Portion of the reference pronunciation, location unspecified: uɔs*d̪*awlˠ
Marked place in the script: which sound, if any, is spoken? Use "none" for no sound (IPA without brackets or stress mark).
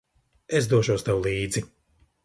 t̪